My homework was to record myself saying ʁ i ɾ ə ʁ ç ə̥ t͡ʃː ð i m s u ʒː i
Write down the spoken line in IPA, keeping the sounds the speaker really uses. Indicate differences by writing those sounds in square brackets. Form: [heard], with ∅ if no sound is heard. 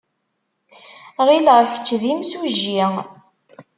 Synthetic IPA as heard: ʁ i [l] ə ʁ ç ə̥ t͡ʃː ð i m s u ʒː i